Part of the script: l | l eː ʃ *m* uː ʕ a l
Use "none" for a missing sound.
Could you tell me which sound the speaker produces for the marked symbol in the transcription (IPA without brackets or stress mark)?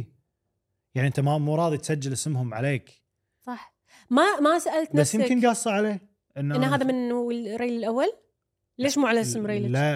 m